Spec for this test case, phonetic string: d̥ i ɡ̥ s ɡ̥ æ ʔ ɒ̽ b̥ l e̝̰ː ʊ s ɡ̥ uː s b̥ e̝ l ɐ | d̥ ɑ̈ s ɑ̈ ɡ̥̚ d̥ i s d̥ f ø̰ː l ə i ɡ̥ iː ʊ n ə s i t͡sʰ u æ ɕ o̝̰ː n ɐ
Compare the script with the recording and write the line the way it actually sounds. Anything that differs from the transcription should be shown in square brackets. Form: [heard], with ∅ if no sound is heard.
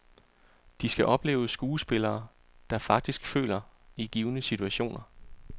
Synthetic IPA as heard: d̥ i [∅] s ɡ̥ æ ʔ ɒ̽ b̥ l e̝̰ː ʊ s ɡ̥ uː s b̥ e̝ l [ɐː] | d̥ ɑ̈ [f] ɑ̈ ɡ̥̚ d̥ i s [ɡ̥] f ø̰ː l [ɐ] i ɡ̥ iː ʊ n ə s i t͡sʰ u æ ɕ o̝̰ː n ɐ